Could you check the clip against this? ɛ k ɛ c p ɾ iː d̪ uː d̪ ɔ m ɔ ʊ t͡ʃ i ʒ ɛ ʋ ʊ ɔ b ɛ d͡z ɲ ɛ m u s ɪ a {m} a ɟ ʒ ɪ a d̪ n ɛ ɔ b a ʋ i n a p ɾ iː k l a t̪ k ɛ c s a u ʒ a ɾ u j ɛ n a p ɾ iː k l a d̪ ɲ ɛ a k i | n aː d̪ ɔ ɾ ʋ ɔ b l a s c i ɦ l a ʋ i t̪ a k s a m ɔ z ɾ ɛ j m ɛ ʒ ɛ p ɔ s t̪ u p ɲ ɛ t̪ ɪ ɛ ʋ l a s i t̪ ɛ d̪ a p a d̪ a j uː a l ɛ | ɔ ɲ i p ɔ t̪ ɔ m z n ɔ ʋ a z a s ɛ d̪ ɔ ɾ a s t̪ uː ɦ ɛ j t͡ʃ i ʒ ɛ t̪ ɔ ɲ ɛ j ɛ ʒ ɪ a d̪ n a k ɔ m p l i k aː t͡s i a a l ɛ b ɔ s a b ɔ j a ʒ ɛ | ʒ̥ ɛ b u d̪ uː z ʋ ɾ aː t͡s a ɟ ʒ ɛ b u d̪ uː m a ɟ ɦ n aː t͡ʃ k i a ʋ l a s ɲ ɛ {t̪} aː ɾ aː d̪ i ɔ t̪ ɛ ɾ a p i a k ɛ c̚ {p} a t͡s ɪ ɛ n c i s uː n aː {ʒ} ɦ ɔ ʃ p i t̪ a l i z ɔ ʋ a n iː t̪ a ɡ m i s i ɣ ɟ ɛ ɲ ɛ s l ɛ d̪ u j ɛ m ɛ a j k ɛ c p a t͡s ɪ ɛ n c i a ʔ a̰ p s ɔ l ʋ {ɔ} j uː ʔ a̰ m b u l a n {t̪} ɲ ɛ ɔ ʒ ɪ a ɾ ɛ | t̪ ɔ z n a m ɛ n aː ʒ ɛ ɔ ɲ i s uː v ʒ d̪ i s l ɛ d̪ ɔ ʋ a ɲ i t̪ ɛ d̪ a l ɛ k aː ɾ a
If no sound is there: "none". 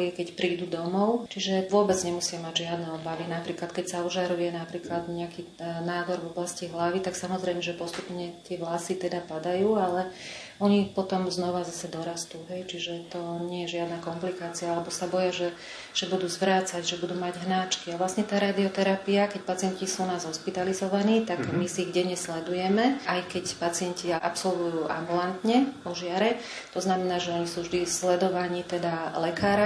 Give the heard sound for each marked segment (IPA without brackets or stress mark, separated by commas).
m, t̪, p, z, u, t̪